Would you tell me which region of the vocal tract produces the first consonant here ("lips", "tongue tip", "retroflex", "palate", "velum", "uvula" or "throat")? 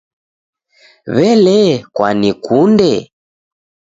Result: lips